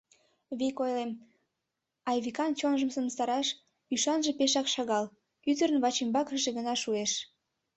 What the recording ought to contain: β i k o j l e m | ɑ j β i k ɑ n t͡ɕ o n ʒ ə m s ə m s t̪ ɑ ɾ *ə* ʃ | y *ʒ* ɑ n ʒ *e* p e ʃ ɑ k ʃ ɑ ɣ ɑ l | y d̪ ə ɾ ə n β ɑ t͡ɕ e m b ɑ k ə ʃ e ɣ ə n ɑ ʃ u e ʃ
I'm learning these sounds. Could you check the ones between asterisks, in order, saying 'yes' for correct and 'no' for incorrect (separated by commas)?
no, no, yes